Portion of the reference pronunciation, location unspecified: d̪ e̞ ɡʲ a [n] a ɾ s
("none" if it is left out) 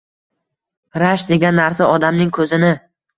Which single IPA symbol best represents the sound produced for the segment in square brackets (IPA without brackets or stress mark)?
nː